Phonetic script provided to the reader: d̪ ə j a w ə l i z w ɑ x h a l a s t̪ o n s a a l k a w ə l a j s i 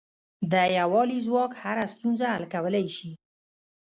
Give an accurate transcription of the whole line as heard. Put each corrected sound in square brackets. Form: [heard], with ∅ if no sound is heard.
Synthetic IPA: d̪ ə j a w [ɑ] l i z w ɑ [k] h a [ɾ] a s t̪ [u] n [z] a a l k a w ə l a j [ʃ] i